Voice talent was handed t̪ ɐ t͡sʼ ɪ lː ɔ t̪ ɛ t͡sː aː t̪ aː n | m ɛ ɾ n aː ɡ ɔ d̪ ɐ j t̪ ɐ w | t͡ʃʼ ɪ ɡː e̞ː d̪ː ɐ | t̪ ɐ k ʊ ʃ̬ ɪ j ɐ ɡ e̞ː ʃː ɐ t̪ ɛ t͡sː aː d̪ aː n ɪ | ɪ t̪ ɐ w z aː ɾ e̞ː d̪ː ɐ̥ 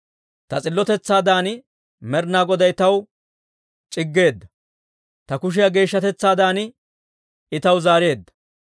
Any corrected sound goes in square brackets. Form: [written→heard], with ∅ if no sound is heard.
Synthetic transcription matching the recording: t̪ ɐ t͡sʼ ɪ lː ɔ t̪ ɛ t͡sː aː [t̪→d̪] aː n | m ɛ ɾ n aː ɡ ɔ d̪ ɐ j t̪ ɐ w | t͡ʃʼ ɪ ɡː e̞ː d̪ː ɐ | t̪ ɐ k ʊ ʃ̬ ɪ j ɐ ɡ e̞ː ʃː ɐ t̪ ɛ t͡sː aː d̪ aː n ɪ | ɪ t̪ ɐ w z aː ɾ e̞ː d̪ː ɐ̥

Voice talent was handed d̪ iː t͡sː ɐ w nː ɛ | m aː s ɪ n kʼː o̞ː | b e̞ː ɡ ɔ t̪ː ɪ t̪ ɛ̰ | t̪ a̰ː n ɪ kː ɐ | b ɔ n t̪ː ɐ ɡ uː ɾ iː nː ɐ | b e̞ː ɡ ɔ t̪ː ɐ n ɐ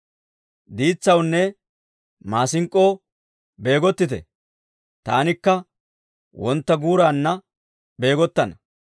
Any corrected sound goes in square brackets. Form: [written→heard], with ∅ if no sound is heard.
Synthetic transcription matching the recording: d̪ iː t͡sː ɐ w nː ɛ | m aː s ɪ [n→ŋ] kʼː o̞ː | b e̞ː ɡ ɔ t̪ː ɪ t̪ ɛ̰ | t̪ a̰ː n ɪ kː ɐ | [b→w] ɔ n t̪ː ɐ ɡ uː ɾ [iː→aː] nː ɐ | b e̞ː ɡ ɔ t̪ː ɐ n ɐ

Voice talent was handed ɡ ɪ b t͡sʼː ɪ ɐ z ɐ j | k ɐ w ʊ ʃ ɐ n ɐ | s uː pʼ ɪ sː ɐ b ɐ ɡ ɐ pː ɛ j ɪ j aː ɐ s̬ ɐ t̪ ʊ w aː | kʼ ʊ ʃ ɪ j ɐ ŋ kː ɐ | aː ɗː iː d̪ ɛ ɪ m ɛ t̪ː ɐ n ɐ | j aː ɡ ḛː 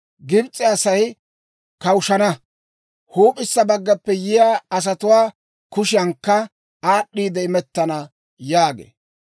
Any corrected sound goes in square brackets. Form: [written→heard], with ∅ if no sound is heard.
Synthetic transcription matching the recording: ɡ ɪ b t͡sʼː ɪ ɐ [z→s] ɐ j | k ɐ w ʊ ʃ ɐ n ɐ | [s→h] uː pʼ ɪ sː ɐ b ɐ [ɡ→ɡː] ɐ pː ɛ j ɪ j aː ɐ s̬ ɐ t̪ ʊ w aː | [kʼ→k] ʊ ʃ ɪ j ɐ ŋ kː ɐ | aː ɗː iː d̪ ɛ ɪ m ɛ t̪ː ɐ n ɐ | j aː ɡ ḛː

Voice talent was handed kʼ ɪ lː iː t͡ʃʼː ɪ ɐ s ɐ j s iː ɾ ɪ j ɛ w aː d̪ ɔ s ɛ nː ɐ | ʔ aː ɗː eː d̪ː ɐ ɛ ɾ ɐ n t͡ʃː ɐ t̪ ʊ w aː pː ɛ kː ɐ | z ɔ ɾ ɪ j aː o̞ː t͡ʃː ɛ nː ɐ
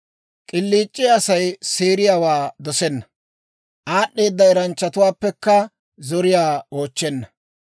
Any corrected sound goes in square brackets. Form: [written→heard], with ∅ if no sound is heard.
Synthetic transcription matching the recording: kʼ ɪ lː iː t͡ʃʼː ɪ ɐ s ɐ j s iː ɾ ɪ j [ɛ→a] w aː d̪ ɔ s ɛ nː ɐ | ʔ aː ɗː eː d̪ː ɐ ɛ ɾ ɐ n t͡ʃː ɐ t̪ ʊ w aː pː ɛ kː ɐ | z ɔ ɾ ɪ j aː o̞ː t͡ʃː ɛ nː ɐ

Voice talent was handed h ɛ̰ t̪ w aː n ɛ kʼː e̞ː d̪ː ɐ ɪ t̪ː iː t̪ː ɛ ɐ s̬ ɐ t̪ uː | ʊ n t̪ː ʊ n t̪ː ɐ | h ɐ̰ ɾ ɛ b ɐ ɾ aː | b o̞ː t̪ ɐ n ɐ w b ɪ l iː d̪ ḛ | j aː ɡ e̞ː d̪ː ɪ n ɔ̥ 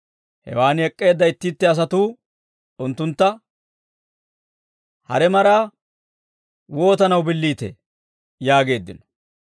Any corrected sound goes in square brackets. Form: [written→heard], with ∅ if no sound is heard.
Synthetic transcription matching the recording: h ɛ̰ [t̪→∅] w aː n ɛ kʼː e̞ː d̪ː ɐ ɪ t̪ː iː t̪ː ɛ ɐ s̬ ɐ t̪ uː | ʊ n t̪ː ʊ n t̪ː ɐ | h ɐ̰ ɾ ɛ [b→m] ɐ ɾ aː | [b→w] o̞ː t̪ ɐ n ɐ w b ɪ [l→lː] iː [d̪→t̪] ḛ | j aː ɡ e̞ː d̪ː ɪ n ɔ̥

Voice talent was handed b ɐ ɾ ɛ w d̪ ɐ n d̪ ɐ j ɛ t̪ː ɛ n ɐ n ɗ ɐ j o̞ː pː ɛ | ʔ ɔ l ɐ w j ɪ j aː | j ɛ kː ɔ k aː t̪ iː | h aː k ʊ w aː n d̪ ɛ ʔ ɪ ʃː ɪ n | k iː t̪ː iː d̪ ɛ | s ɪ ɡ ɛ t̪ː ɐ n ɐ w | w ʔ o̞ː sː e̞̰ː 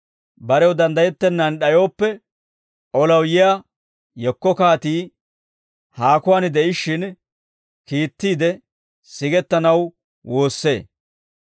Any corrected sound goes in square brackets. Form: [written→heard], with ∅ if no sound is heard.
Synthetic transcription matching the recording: b ɐ ɾ ɛ w d̪ ɐ n d̪ ɐ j ɛ t̪ː ɛ [n→nː] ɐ n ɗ ɐ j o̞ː pː ɛ | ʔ ɔ l ɐ w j ɪ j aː | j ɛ kː ɔ k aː t̪ iː | h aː k ʊ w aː n d̪ ɛ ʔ ɪ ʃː ɪ n | k iː t̪ː iː d̪ ɛ | s ɪ ɡ ɛ t̪ː ɐ n ɐ w | w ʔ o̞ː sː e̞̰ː

